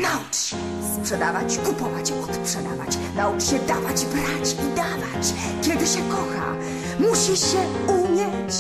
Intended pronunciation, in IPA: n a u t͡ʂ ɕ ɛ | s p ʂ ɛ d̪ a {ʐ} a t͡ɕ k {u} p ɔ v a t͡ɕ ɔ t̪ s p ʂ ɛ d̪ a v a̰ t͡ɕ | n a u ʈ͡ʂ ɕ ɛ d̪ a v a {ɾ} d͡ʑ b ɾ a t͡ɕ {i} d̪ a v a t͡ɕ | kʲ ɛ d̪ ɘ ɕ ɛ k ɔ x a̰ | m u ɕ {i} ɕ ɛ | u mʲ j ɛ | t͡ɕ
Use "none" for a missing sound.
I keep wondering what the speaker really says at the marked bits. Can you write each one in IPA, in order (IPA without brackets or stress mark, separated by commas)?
v, u, none, i, i